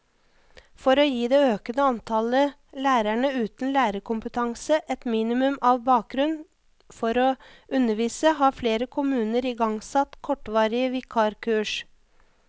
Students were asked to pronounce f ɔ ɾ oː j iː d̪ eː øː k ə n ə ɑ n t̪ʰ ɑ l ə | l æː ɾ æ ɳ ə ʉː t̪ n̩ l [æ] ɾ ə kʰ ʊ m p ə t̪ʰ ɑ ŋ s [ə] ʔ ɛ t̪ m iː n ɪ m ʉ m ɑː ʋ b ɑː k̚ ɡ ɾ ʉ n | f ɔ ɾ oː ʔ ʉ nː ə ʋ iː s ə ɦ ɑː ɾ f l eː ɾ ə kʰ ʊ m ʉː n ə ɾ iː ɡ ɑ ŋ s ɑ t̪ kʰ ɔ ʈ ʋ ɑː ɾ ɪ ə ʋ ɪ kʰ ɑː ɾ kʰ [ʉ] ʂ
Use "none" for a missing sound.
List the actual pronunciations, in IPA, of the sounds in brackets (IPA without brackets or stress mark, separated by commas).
æː, ə, ʉː